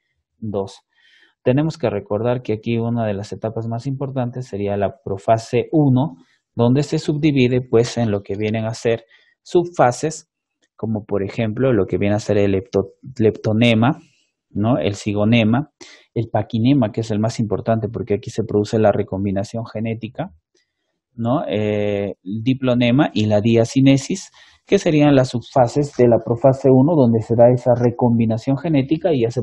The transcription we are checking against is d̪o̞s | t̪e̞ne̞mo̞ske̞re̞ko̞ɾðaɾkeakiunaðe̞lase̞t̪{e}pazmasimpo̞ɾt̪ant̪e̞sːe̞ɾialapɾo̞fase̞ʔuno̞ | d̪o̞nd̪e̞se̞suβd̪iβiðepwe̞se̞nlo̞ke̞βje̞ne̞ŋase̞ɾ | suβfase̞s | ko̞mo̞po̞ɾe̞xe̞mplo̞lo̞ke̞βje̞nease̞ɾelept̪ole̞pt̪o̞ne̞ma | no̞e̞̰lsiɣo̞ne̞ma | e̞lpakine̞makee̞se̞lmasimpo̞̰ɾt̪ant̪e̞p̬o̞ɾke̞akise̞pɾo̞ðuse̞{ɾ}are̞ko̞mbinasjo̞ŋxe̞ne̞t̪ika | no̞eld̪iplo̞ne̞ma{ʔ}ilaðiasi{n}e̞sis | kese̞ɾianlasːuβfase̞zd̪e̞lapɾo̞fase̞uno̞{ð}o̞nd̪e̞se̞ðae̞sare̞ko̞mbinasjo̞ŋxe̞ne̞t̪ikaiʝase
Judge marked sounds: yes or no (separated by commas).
no, no, yes, yes, yes